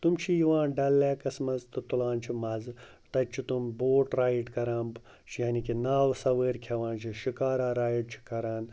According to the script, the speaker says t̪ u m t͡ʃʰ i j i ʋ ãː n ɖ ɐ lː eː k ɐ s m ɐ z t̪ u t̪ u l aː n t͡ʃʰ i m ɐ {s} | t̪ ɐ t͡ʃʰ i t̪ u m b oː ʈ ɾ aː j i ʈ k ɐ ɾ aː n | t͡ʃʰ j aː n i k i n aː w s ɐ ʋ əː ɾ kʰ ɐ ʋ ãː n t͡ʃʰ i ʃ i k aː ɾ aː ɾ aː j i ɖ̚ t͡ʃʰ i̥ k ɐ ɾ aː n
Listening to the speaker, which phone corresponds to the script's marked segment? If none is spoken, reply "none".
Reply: z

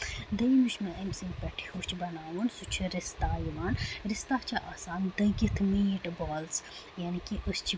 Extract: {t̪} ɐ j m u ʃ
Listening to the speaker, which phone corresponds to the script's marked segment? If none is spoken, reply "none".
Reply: d̪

